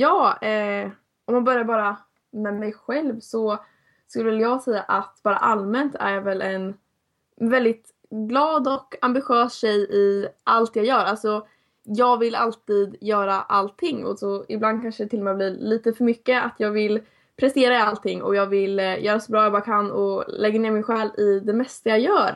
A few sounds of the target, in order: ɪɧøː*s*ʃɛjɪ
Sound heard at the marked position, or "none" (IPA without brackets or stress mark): s